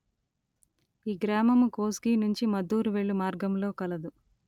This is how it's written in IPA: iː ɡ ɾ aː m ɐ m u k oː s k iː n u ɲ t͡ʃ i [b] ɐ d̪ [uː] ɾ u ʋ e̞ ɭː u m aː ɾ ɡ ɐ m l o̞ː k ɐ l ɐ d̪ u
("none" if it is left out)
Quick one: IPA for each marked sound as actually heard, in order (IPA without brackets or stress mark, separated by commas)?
m, uː